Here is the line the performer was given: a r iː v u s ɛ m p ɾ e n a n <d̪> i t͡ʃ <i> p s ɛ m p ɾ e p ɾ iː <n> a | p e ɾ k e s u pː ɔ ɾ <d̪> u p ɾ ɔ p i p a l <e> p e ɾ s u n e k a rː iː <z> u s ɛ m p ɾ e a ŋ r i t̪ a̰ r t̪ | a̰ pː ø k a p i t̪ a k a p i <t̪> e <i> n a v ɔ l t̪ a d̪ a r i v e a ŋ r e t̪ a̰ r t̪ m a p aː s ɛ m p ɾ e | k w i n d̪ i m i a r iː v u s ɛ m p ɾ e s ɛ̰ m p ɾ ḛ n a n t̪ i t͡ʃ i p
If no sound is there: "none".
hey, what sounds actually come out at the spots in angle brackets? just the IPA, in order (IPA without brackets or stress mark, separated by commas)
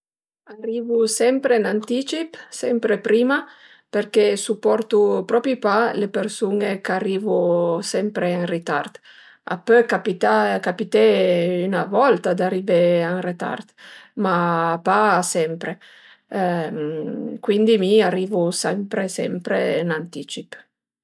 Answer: t̪, i, m, t̪, e, v, t̪, y